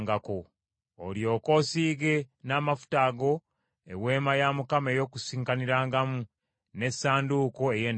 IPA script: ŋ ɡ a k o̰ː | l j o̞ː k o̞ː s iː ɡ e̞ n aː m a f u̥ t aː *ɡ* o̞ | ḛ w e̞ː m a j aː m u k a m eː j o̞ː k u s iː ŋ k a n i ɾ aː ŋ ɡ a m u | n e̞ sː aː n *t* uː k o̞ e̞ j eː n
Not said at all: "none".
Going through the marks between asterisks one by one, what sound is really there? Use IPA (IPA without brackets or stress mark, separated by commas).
ɡ, d